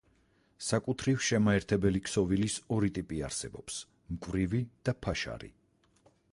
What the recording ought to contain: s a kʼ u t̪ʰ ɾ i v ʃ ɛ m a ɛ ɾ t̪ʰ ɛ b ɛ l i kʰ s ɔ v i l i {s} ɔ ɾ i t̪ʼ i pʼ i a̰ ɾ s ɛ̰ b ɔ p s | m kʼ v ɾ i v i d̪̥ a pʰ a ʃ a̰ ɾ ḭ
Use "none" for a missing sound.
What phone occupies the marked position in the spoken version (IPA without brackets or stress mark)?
s